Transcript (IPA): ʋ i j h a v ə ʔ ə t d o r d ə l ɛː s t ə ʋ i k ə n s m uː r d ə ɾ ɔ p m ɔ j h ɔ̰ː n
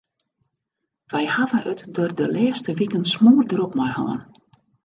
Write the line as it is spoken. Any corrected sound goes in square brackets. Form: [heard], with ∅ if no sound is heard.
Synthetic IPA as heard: ʋ [ɛ] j h a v ə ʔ ə t d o r d ə l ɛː s t ə ʋ i k ə n s m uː r d ə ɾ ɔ p m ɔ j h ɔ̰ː n